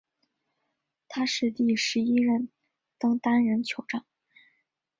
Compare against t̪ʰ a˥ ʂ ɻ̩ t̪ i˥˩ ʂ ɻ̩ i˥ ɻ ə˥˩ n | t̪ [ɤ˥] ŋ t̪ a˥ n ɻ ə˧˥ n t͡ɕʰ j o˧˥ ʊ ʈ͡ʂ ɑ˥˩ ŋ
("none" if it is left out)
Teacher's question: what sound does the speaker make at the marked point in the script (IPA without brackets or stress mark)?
ɤ˥